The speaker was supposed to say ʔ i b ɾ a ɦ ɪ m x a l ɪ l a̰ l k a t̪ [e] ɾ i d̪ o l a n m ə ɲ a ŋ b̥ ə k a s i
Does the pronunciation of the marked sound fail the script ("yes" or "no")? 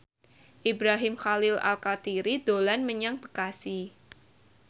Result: yes